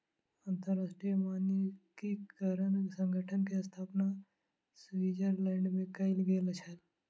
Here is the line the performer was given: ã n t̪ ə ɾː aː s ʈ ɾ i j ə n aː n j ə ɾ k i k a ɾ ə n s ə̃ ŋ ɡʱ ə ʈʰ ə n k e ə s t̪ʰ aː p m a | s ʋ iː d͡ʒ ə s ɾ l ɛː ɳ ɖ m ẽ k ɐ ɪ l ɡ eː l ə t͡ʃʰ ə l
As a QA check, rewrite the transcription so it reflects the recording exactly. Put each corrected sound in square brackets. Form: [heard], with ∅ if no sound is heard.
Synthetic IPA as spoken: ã n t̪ ə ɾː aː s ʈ ɾ i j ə [m] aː n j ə [∅] k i k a ɾ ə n s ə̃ ŋ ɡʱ ə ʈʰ ə n k e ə s t̪ʰ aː p [n] a | s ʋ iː d͡ʒ ə [∅] ɾ l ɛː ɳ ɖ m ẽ k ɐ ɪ l ɡ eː l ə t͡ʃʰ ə l